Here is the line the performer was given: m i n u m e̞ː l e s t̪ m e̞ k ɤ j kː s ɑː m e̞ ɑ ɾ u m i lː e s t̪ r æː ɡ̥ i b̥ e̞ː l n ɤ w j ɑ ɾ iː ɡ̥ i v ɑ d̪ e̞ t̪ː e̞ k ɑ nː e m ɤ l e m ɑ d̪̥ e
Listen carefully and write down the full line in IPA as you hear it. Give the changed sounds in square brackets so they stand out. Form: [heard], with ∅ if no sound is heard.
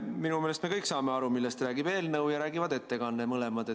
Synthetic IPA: m i n u m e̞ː l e s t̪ m e̞ k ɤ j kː s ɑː m e̞ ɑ ɾ u m i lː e s t̪ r æː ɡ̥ i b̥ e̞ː l n ɤ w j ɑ ɾ [æː] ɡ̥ i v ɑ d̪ e̞ t̪ː e̞ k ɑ nː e m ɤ l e m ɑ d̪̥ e